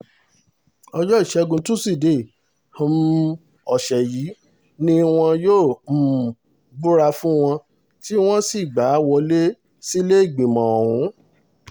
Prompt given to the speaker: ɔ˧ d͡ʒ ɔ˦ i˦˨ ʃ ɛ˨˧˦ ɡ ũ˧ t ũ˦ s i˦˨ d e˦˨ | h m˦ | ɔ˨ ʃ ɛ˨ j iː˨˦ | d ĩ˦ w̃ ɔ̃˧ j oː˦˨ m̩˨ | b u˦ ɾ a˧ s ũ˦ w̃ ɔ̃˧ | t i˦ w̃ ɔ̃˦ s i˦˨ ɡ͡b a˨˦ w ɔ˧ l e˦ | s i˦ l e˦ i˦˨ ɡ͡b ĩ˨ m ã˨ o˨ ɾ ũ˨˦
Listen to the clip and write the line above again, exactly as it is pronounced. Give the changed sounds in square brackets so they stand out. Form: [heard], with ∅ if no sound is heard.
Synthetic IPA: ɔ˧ d͡ʒ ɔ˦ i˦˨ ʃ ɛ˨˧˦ ɡ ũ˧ t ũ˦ s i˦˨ d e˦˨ | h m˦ | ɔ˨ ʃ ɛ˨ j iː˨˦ | [n] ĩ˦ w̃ ɔ̃˧ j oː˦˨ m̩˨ | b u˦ ɾ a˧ [f] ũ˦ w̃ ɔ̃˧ | t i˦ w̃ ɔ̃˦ s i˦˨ ɡ͡b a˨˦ w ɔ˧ l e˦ | s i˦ l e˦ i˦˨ ɡ͡b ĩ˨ m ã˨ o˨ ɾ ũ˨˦